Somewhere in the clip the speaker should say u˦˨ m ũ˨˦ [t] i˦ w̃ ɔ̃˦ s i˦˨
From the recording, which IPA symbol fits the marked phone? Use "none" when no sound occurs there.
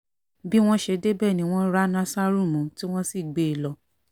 t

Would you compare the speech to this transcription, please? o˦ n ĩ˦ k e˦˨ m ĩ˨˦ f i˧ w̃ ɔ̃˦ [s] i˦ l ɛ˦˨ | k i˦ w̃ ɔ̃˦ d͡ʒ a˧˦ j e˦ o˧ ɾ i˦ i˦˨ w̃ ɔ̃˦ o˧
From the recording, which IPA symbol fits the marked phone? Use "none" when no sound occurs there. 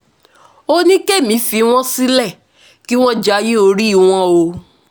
s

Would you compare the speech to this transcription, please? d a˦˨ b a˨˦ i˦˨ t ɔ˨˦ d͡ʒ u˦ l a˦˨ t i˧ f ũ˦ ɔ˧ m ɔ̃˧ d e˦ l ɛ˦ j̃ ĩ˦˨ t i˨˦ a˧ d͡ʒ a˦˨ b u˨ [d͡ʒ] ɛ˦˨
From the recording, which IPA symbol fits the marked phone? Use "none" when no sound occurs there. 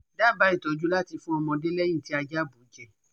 d͡ʒ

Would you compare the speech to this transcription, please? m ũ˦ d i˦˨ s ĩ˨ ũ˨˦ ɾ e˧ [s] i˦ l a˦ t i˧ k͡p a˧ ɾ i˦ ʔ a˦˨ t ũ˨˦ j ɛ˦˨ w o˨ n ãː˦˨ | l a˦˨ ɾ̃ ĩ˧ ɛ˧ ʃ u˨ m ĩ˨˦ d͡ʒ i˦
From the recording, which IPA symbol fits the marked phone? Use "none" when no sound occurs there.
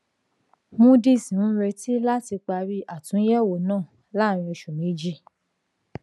t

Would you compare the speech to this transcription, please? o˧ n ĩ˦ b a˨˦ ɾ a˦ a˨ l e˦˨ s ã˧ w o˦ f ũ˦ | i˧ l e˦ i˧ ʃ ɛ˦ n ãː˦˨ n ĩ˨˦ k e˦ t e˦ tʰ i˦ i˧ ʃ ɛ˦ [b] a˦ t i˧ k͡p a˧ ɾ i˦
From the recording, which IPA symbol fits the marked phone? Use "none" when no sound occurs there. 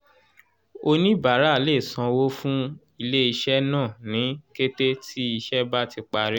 b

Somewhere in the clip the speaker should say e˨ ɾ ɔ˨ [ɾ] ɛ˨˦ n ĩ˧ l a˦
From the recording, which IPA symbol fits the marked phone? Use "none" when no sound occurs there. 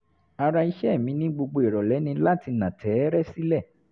l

